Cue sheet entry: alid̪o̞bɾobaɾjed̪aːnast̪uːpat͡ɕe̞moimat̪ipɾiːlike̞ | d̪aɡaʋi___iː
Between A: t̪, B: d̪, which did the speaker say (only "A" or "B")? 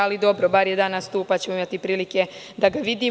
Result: B